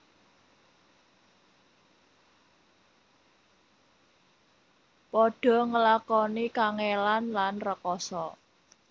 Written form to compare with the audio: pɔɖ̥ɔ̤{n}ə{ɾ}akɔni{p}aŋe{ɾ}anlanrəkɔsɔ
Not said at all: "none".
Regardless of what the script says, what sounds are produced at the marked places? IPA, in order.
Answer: ŋ, l, k, l

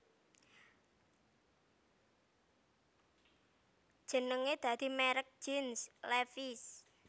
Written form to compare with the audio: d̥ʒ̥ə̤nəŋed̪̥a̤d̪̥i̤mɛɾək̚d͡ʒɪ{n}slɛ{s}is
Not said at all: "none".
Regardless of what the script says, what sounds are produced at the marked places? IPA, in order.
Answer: n, f

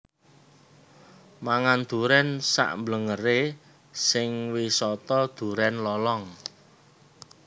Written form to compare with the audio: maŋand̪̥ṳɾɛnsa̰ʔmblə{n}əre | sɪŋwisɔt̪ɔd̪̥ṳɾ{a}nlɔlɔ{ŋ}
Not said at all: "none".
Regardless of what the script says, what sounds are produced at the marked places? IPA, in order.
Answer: ŋ, ɛ, ŋ

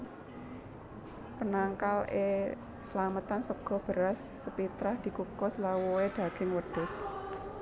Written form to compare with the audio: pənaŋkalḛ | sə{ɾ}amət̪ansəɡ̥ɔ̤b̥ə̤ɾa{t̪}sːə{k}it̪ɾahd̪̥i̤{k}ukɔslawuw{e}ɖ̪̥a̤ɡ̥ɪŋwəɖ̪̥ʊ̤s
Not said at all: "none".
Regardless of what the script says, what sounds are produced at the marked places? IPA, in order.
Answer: l, none, p, k, e

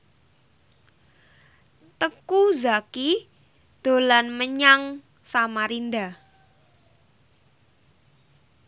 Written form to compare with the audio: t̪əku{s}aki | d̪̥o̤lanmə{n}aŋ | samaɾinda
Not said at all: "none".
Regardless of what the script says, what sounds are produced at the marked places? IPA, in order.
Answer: z, ɲ

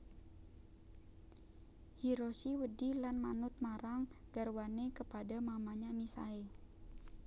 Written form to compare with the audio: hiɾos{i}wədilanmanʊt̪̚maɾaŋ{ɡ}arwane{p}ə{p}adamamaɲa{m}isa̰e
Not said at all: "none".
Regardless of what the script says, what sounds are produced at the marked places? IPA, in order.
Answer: i, ɡ, k, p, m

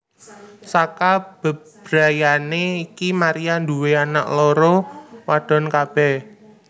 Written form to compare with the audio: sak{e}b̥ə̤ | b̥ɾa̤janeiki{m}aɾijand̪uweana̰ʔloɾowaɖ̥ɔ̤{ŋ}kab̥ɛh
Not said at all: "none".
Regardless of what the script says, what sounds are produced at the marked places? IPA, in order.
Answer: a, m, n

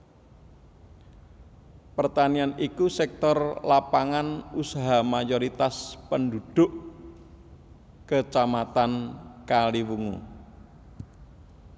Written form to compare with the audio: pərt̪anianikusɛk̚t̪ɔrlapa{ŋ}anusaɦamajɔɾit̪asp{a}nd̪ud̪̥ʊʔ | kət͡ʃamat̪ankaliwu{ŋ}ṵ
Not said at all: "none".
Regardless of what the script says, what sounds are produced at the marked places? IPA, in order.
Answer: ŋ, ə, ŋ

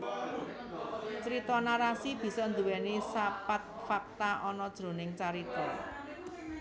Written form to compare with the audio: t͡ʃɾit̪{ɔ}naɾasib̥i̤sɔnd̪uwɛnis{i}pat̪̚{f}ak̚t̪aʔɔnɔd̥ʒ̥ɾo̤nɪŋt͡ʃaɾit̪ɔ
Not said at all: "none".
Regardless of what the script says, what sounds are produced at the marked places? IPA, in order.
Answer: ɔ, a, f

